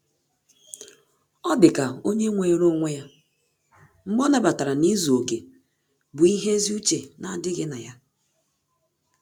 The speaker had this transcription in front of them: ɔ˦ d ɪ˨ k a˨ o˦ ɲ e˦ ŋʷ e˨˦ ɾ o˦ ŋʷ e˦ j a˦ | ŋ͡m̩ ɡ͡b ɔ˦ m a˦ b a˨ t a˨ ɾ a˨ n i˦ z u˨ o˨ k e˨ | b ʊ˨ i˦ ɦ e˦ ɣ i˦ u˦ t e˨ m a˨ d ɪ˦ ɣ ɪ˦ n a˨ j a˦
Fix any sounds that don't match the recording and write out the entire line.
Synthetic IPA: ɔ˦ d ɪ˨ k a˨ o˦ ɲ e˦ ŋʷ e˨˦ ɾ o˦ ŋʷ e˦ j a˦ | ŋ͡m̩ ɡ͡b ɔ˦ n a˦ b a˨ t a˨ ɾ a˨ n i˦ z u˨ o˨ k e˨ | b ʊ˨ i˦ ɦ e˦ z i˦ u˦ t͡ʃ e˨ n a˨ d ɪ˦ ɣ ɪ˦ n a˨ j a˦